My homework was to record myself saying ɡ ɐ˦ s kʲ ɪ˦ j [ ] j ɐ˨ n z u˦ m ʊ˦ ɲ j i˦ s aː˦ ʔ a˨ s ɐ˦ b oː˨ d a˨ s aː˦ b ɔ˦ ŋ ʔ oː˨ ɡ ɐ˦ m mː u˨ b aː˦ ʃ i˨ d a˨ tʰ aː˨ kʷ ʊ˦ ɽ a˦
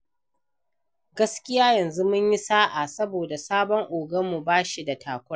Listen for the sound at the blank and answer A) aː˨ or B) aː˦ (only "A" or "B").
B